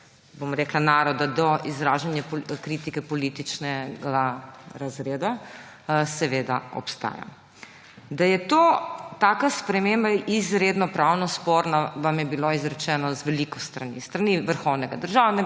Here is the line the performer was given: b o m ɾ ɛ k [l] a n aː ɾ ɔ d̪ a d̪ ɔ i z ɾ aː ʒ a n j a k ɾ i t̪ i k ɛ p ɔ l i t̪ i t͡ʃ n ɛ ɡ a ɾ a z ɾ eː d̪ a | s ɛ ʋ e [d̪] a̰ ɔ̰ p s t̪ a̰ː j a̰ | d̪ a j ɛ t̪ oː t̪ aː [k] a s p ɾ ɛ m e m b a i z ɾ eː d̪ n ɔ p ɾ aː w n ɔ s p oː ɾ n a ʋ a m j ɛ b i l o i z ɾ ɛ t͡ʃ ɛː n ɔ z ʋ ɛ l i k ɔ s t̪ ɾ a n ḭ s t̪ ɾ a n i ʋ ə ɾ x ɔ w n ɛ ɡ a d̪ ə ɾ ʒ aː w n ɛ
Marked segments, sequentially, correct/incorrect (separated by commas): correct, correct, correct